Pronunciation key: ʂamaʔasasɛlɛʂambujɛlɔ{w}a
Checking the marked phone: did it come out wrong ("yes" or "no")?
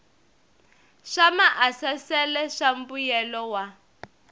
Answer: no